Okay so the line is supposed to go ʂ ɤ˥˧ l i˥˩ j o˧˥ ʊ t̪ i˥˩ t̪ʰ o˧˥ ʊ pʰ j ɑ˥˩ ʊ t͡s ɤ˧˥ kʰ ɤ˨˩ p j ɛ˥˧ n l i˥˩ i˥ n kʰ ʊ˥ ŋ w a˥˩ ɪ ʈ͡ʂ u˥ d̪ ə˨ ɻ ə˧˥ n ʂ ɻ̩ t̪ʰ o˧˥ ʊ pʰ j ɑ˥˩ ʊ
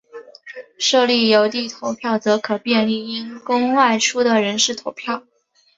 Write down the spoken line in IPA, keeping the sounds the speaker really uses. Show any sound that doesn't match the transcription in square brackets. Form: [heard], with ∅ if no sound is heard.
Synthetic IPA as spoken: ʂ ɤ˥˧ l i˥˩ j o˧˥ ʊ t̪ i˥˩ t̪ʰ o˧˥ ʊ pʰ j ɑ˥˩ ʊ t͡s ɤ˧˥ kʰ ɤ˨˩ p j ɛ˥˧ n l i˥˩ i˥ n [k] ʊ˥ ŋ w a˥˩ ɪ [ʈ͡ʂʰ] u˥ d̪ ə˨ ɻ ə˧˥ n ʂ ɻ̩ t̪ʰ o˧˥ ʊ pʰ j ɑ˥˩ ʊ